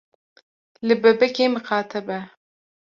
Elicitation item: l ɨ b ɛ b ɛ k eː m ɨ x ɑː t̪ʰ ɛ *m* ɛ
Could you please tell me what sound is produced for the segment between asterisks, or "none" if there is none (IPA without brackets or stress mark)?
b